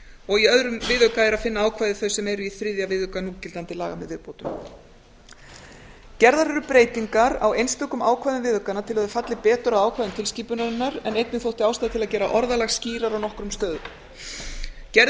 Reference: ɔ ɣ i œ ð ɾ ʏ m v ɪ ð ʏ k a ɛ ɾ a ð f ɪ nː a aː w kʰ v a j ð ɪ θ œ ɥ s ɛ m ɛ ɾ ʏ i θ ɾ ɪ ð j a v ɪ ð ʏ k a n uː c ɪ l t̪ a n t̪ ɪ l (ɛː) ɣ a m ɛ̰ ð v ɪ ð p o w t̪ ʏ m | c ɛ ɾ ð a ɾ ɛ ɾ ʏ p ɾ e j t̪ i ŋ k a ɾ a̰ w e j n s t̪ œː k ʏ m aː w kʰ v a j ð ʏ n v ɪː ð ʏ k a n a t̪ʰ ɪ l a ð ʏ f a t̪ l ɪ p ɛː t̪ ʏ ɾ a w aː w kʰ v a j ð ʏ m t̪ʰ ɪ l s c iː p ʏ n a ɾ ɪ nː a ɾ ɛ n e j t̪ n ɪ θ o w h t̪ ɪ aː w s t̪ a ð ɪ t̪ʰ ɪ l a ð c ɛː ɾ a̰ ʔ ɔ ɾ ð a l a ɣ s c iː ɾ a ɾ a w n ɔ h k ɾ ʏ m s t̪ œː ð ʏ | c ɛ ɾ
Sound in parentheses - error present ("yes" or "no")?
yes